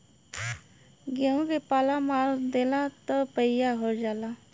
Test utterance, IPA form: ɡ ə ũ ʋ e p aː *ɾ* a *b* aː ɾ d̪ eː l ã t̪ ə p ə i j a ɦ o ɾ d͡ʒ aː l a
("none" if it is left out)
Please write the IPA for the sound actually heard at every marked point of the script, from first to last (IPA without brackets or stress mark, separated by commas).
l, m